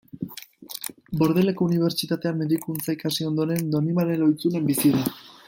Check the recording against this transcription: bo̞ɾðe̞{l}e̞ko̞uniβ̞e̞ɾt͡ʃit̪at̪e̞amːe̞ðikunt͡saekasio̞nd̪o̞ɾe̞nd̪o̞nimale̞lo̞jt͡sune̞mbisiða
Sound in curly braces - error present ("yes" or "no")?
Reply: no